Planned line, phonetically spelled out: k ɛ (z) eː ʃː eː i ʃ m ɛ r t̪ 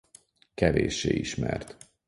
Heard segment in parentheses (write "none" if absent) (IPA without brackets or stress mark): v